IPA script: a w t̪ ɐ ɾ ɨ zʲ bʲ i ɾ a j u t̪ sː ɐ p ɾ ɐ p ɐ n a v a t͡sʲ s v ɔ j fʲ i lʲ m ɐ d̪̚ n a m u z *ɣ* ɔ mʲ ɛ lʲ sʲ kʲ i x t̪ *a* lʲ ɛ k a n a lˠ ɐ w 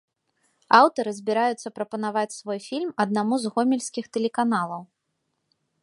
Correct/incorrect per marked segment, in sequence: correct, incorrect

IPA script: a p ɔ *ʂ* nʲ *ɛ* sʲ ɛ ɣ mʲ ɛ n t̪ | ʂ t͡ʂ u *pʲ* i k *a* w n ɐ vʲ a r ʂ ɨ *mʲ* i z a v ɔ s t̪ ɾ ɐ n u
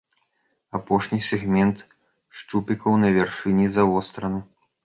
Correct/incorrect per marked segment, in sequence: correct, incorrect, correct, incorrect, incorrect

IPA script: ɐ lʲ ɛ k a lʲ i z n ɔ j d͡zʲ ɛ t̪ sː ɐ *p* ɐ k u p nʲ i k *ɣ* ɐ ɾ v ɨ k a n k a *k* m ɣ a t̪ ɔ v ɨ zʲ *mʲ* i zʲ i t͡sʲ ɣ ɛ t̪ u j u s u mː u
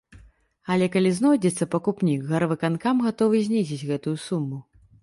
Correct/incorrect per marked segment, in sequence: correct, correct, incorrect, incorrect

